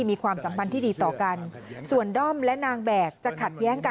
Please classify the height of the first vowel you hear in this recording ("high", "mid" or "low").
high